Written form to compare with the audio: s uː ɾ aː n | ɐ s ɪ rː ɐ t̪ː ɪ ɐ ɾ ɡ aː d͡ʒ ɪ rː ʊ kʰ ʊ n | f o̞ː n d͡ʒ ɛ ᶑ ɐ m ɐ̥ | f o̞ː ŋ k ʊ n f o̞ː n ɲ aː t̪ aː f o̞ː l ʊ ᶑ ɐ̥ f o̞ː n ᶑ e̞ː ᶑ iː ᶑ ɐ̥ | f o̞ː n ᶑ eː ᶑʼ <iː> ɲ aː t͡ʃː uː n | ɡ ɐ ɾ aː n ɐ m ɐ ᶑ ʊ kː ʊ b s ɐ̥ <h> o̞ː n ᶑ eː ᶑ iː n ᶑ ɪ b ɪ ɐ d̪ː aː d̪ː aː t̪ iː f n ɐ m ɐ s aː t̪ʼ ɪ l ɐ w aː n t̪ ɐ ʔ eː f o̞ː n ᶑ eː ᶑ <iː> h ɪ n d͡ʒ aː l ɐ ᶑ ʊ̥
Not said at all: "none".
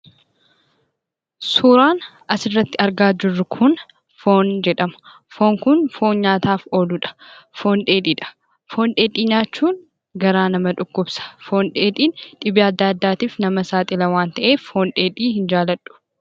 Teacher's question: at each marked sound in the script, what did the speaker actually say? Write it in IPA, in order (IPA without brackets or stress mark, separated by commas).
iː, f, iː